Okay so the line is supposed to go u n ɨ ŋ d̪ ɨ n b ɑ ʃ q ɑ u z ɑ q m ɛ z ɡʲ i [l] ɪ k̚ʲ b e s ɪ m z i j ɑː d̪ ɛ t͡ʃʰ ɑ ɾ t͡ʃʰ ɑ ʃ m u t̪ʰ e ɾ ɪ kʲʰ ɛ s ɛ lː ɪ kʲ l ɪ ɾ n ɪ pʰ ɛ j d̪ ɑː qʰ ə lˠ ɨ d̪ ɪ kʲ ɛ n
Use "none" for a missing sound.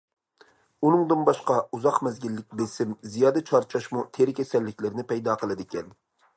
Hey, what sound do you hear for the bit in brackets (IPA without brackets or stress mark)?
lː